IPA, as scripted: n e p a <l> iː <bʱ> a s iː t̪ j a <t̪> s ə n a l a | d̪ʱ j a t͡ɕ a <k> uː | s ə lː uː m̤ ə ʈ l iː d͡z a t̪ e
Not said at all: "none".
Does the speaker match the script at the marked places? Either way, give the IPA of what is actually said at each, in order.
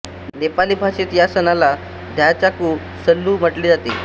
l, bʱ, none, k

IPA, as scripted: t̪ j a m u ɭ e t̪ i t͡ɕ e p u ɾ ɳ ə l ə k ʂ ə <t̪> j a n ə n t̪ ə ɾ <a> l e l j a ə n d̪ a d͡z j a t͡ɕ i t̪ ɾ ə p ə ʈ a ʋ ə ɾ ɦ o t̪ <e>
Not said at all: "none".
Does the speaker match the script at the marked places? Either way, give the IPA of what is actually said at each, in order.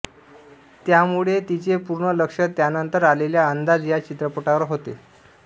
t̪, a, e

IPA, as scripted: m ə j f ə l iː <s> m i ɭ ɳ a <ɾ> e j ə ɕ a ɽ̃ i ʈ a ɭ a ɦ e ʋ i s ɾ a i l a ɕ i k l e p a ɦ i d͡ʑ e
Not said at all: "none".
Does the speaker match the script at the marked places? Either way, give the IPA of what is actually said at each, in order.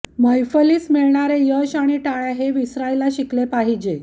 s, ɾ

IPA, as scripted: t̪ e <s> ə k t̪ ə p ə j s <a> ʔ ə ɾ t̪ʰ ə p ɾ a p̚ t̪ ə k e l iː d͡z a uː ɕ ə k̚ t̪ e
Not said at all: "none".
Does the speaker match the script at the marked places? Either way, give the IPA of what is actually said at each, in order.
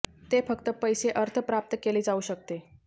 f, e

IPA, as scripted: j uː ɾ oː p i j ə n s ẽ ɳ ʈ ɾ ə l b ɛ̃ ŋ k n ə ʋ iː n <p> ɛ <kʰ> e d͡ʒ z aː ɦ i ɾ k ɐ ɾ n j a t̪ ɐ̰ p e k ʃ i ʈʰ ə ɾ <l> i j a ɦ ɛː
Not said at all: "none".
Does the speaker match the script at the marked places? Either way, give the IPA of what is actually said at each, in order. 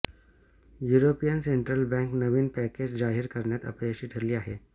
p, k, l

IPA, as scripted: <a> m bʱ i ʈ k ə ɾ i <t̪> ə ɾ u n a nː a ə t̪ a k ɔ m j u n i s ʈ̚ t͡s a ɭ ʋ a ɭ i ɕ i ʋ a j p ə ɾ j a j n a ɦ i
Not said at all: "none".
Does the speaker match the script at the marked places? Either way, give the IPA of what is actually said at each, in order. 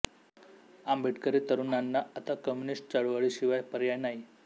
a, t̪

